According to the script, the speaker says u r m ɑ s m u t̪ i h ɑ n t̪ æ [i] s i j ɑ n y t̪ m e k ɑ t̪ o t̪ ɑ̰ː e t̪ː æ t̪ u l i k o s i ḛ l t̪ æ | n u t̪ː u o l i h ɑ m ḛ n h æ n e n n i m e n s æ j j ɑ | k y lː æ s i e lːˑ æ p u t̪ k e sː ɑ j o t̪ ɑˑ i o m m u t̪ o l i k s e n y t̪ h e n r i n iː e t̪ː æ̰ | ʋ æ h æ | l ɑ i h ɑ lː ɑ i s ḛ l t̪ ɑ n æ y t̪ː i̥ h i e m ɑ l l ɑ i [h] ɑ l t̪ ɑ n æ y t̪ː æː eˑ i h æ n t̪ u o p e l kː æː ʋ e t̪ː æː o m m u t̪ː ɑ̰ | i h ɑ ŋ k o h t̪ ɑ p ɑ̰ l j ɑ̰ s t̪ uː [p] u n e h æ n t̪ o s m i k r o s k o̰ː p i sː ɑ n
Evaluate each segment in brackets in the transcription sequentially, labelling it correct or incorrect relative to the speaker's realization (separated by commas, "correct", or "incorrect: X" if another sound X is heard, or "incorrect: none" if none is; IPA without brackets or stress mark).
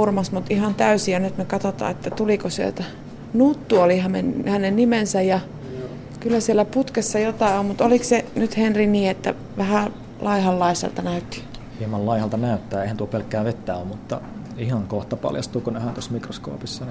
incorrect: y, correct, incorrect: k